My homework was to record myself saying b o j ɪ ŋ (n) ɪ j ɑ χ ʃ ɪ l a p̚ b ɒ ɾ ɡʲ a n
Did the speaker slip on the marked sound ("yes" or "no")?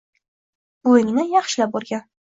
no